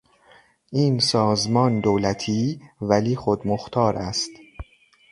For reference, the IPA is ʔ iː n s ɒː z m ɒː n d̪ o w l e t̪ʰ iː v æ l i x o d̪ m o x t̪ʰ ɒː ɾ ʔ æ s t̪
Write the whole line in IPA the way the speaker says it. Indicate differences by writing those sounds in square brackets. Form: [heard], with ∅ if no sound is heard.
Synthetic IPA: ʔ iː n s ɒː z m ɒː n d̪ o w l [æ] t̪ʰ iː v æ l [iː] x o d̪ m o x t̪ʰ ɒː ɾ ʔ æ s t̪